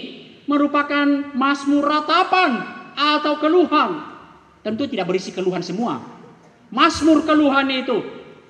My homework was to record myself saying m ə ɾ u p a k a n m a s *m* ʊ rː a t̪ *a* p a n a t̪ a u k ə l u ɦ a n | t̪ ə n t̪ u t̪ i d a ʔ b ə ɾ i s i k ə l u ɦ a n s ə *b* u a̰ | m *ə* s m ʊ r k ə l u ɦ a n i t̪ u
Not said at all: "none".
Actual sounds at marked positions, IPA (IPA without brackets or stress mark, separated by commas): m, a, m, a